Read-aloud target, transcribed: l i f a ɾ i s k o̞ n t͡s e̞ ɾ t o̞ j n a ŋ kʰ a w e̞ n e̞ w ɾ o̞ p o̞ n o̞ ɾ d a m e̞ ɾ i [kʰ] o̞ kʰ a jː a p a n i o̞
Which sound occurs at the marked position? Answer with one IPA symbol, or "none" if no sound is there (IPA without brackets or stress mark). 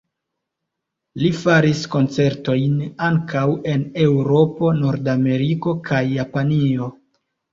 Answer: k